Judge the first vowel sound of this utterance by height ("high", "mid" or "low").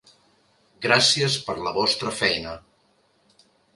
low